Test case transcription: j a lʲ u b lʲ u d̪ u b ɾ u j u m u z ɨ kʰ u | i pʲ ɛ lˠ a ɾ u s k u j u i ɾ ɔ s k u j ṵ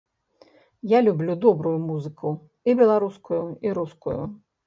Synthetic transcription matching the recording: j a lʲ u b lʲ u d̪ ɔ b ɾ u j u m u z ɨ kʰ u | i bʲ ɛ lˠ a ɾ u s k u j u i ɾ u s k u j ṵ